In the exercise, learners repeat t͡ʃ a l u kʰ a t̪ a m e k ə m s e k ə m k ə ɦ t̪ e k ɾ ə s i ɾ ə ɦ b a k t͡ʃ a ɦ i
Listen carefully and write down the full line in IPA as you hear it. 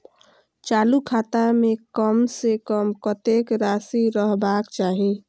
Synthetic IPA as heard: t͡ʃ a l u kʰ a t̪ a m e k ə m s e k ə m k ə t̪ e k ɾ a s i ɾ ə ɦ b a k t͡ʃ a ɦ i